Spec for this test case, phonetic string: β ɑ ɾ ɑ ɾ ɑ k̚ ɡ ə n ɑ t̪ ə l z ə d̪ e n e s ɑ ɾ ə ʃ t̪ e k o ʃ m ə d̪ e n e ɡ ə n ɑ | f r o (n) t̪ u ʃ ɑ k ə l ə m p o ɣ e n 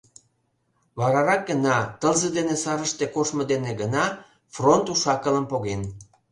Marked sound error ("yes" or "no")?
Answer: no